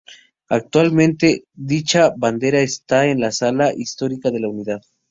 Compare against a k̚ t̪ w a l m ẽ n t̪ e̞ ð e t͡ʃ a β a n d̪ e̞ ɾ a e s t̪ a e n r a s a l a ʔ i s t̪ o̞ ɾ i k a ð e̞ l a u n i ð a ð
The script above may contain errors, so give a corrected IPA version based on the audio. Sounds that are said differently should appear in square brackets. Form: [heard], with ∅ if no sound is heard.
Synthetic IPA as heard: a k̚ t̪ w a l m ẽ n t̪ e̞ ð [i] t͡ʃ a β a n d̪ e̞ ɾ a e s t̪ a e n [l] a s a l a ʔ i s t̪ o̞ ɾ i k a ð e̞ l a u n i ð a ð